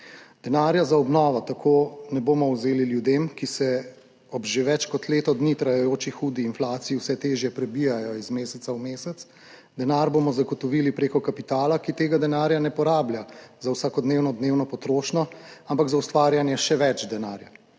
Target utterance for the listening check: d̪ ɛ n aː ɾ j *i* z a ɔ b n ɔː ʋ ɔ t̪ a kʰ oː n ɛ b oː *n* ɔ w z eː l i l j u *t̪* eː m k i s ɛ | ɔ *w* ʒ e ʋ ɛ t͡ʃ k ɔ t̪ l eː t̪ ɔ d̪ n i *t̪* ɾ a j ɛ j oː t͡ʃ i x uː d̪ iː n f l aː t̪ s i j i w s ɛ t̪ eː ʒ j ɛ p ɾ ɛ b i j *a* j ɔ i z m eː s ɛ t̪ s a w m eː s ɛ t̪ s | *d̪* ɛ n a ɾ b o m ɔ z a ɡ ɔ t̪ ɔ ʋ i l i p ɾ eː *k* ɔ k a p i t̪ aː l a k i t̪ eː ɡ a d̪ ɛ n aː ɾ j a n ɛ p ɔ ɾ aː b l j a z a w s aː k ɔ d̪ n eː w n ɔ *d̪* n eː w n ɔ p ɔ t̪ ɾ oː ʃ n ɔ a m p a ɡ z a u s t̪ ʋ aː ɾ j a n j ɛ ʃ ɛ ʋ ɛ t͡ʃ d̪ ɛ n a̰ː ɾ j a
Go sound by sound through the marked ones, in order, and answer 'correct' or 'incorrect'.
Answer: incorrect: a, incorrect: m, incorrect: d̪, incorrect: b, correct, correct, correct, correct, correct

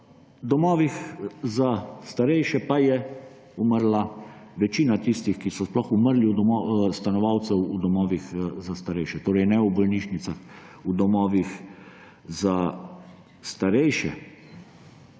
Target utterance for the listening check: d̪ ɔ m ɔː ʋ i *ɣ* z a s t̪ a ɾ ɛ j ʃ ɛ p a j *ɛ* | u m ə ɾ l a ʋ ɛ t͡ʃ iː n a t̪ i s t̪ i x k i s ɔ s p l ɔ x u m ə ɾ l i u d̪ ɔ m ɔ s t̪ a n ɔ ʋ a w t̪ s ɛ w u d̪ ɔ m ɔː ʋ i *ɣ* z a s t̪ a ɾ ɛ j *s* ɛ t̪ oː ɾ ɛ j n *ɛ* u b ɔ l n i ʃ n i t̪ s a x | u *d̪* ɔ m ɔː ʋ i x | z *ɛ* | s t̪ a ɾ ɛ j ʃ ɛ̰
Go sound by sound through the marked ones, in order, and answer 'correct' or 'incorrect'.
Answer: incorrect: x, correct, incorrect: x, incorrect: ʃ, correct, correct, incorrect: a

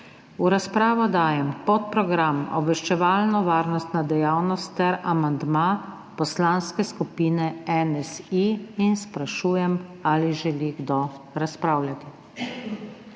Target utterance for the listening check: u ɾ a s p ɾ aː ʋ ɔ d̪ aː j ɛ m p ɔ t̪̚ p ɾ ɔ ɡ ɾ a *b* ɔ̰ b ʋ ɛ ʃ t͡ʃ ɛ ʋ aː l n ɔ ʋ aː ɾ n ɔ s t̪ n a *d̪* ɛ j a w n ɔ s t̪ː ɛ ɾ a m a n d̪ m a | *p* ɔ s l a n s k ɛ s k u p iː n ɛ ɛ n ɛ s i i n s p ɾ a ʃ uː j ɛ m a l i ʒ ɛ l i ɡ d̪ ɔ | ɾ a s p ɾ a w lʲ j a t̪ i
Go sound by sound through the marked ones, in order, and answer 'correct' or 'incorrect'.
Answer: incorrect: m, correct, correct

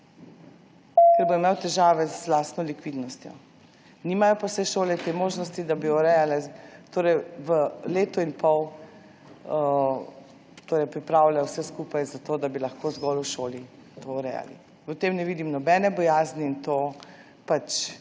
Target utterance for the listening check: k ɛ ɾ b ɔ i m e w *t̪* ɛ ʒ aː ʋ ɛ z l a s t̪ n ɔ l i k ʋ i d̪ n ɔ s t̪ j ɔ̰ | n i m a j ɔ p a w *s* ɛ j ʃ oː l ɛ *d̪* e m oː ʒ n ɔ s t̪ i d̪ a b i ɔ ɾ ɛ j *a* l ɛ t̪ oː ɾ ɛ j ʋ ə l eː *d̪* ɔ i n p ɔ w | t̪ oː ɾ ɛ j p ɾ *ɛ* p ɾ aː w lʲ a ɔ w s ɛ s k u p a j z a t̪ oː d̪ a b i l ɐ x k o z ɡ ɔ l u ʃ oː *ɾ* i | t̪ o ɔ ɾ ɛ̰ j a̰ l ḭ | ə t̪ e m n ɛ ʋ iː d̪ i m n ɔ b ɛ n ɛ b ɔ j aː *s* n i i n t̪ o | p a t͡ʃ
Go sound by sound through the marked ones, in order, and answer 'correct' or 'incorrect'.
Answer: correct, correct, incorrect: t̪, correct, incorrect: t̪, incorrect: i, incorrect: l, incorrect: z

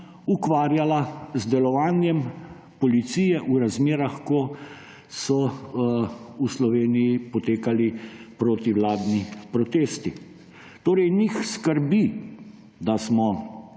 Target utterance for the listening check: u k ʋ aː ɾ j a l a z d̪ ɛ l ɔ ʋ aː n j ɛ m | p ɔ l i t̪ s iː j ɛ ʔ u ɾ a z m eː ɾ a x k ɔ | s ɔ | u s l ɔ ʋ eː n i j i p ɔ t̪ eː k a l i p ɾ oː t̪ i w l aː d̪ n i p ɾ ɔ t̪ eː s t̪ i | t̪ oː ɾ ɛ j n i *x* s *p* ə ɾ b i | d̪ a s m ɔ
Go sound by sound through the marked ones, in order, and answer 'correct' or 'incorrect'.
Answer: correct, incorrect: k

